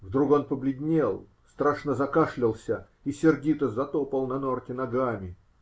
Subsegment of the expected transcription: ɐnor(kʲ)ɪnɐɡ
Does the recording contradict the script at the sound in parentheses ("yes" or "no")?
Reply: yes